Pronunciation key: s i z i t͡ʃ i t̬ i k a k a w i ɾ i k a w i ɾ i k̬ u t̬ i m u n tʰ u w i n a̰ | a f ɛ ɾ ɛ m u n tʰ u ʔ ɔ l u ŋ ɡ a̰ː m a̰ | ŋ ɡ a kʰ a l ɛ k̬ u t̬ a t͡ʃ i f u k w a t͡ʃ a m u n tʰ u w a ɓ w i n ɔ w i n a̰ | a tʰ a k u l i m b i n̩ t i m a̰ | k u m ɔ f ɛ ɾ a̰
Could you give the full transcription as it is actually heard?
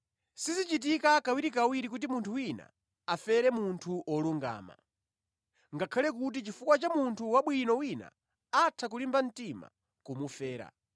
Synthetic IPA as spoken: s i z i t͡ʃ i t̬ i k a k a w i ɾ i k a w i ɾ i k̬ u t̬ i m u n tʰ u w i n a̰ | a f ɛ ɾ ɛ m u n tʰ u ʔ ɔ l u ŋ ɡ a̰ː m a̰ | ŋ ɡ a kʰ a l ɛ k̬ u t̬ i t͡ʃ i f u k w a t͡ʃ a m u n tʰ u w a ɓ w i n ɔ w i n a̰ | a tʰ a k u l i m b a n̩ t i m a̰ | k u m u f ɛː ɾ a̰